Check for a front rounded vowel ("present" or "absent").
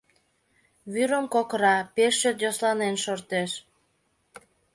present